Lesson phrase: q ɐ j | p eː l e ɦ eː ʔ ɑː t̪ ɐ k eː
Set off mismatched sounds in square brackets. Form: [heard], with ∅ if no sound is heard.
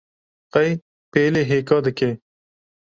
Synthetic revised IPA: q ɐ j | p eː l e ɦ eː [k] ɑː [d̪] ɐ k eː